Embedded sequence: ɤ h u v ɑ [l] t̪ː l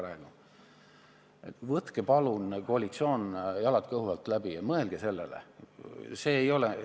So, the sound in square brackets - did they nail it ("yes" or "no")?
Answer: yes